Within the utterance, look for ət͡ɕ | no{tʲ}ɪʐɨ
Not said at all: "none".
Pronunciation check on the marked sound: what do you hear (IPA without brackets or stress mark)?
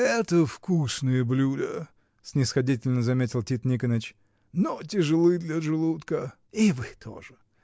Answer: tʲ